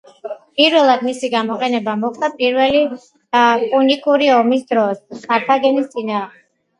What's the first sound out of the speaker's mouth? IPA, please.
pʼ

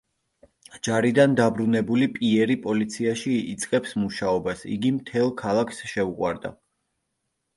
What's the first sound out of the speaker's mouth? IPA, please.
d͡ʒ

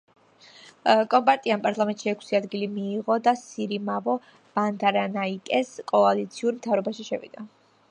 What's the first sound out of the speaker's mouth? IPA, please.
kʼ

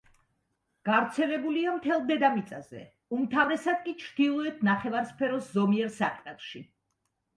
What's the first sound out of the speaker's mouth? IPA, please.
ɡ̥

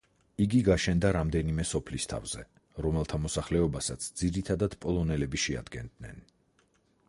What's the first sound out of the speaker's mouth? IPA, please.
i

